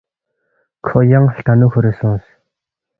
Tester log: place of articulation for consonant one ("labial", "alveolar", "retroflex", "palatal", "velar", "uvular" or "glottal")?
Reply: velar